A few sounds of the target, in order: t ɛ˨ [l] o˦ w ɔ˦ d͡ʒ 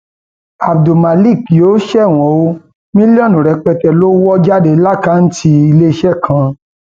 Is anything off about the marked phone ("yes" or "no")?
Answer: no